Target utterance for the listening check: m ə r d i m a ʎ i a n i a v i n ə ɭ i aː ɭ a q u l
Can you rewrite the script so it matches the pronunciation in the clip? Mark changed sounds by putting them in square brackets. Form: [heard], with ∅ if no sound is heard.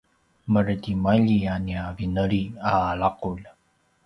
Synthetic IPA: m ə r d i m a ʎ i a n i a v i n ə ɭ i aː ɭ a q u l